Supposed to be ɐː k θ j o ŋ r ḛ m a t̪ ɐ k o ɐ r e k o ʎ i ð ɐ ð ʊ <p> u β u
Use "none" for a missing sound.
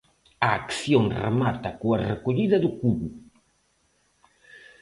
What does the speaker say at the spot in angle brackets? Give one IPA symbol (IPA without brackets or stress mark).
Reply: k